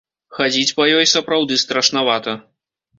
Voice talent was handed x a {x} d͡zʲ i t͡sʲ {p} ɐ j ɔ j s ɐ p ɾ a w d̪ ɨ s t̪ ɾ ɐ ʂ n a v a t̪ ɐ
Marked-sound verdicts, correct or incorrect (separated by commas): incorrect, correct